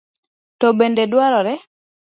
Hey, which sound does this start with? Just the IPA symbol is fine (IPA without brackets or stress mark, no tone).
t